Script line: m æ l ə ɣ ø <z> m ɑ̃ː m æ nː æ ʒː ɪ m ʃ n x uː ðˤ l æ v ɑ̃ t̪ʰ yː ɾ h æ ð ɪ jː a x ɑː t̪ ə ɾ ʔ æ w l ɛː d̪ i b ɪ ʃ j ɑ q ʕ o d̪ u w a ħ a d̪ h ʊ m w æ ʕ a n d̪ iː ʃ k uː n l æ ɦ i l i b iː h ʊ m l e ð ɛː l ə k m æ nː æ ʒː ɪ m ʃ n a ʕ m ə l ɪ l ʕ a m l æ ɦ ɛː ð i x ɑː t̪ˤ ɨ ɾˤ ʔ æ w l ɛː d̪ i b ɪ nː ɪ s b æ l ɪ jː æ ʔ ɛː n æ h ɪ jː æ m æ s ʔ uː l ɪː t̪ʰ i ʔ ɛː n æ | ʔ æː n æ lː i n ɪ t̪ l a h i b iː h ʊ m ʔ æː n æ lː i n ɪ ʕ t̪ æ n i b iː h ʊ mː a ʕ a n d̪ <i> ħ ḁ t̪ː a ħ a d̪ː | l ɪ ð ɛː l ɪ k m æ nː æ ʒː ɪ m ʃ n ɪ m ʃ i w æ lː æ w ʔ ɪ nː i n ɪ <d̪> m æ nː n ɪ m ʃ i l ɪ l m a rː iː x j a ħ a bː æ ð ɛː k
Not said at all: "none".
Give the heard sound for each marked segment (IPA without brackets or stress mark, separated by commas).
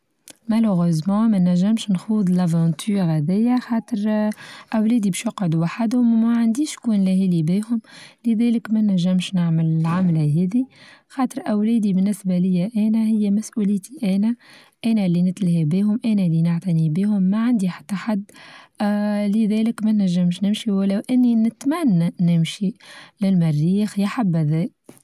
z, i, t̪